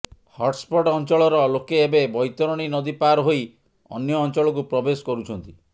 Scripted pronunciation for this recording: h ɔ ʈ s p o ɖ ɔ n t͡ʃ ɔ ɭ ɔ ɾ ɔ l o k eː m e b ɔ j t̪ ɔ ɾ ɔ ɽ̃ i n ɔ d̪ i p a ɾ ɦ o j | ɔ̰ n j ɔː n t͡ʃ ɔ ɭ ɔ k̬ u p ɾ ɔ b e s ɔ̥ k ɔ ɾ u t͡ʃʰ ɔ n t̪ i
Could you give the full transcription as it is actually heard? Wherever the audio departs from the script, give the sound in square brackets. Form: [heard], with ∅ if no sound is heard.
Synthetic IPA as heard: h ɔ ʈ s p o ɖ ɔ n t͡ʃ ɔ ɭ ɔ ɾ ɔ l o k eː [b] e b ɔ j t̪ ɔ ɾ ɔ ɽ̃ i n ɔ d̪ i p a ɾ ɦ o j | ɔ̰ n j ɔː n t͡ʃ ɔ ɭ ɔ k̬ u p ɾ ɔ b e s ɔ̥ k ɔ ɾ u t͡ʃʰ ɔ n t̪ i

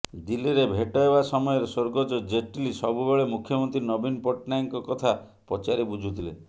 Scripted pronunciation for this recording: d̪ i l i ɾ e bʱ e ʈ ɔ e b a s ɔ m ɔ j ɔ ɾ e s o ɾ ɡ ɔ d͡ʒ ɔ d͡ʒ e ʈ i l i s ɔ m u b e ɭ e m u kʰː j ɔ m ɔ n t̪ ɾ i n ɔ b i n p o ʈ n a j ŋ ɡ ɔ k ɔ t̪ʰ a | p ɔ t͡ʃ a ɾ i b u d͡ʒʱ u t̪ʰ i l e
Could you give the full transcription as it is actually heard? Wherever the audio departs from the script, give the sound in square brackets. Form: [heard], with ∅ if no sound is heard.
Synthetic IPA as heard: d̪ i l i ɾ e bʱ e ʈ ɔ e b a s ɔ m ɔ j ɔ ɾ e s o ɾ ɡ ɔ d͡ʒ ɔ d͡ʒ e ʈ i l i s ɔ [b] u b e ɭ e m u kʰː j ɔ m ɔ n t̪ ɾ i n ɔ b i n p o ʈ n a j ŋ [k] ɔ k ɔ t̪ʰ a | p ɔ t͡ʃ a ɾ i b u d͡ʒʱ u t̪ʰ i l e

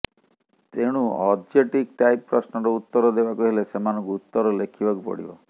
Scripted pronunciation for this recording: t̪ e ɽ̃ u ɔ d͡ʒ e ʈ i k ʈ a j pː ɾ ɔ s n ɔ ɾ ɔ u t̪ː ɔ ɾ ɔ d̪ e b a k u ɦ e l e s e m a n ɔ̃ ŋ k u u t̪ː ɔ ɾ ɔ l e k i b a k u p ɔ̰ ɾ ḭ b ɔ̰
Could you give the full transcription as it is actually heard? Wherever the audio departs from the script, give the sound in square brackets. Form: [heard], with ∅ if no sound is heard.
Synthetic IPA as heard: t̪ e ɽ̃ u ɔ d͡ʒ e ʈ i k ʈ a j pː ɾ ɔ s n ɔ ɾ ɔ u t̪ː ɔ ɾ ɔ d̪ e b a k u ɦ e l e s e m a n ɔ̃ ŋ k u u t̪ː ɔ ɾ ɔ l e [kʰ] i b a k u p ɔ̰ [ɽ] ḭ b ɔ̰

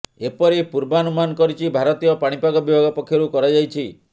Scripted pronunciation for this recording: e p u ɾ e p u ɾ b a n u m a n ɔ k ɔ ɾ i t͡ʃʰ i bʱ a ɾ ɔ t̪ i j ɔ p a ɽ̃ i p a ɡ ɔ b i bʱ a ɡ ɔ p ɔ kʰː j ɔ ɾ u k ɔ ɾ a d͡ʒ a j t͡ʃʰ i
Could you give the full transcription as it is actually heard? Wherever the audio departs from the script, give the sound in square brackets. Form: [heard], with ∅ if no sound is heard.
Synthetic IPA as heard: e p [ɔ] ɾ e p u ɾ b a n u m a n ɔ k ɔ ɾ i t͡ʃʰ i bʱ a ɾ ɔ t̪ i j ɔ p a ɽ̃ i p a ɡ ɔ b i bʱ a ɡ ɔ p ɔ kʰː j ɔ ɾ u k ɔ ɾ a d͡ʒ a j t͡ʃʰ i

